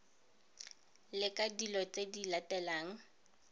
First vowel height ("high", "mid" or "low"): high